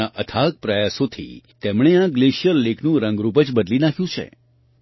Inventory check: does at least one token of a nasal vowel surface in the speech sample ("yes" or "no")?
yes